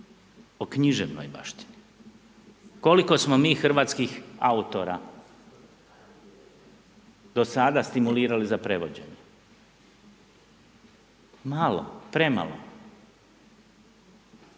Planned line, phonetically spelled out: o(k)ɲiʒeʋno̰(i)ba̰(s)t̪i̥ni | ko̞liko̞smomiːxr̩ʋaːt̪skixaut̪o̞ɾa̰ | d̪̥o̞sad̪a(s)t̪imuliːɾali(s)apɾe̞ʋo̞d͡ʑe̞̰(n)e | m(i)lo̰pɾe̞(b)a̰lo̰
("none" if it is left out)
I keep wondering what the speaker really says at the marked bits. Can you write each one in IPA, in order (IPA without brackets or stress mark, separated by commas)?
k, j, ʃ, s, z, ɲ, a, m